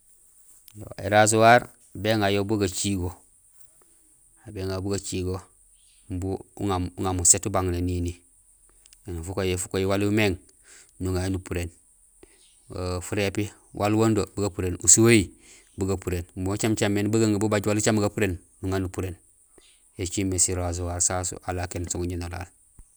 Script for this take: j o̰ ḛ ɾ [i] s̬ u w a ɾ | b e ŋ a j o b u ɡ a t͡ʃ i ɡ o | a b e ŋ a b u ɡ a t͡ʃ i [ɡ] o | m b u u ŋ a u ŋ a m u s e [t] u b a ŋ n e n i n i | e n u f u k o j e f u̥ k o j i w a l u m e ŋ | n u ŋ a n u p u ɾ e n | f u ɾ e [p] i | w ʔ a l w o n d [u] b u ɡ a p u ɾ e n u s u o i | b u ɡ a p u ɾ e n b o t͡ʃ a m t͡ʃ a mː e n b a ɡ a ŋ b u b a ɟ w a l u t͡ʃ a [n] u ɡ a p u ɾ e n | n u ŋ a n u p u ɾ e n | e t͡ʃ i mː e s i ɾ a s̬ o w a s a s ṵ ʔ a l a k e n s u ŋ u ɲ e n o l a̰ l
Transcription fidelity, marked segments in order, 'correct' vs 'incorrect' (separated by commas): incorrect, correct, correct, correct, incorrect, incorrect